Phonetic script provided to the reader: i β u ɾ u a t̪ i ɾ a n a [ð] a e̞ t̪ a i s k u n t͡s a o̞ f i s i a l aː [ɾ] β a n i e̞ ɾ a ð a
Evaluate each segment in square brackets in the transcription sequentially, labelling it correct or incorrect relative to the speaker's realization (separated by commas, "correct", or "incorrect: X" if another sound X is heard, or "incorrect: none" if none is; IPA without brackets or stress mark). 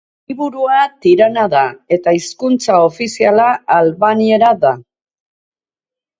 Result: correct, incorrect: l